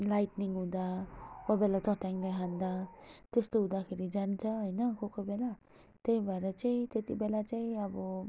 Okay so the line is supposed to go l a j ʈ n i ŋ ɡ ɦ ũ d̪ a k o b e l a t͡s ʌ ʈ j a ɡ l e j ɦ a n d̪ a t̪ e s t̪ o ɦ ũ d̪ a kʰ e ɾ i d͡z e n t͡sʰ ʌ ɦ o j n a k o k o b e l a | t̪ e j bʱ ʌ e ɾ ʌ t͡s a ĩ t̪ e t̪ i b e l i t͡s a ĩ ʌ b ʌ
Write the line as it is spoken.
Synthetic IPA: l a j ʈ n i ŋ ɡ ɦ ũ d̪ a k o b e l a t͡s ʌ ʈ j a ŋ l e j ɦ a n d̪ a t̪ e s t̪ o ɦ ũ d̪ a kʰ e ɾ i d͡z a n t͡sʰ ʌ ɦ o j n ʌ k o k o b e l a | t̪ e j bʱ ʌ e ɾ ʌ t͡s a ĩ t̪ e t̪ i b e l a t͡s a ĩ ʌ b ʌ